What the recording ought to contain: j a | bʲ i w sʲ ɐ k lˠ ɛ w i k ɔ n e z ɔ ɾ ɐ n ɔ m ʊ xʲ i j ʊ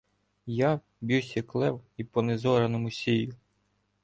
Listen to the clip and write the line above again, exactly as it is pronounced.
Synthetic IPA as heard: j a | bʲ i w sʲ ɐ k lˠ ɛ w i p ɔ n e z ɔ ɾ ɐ n ɔ m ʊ sʲ i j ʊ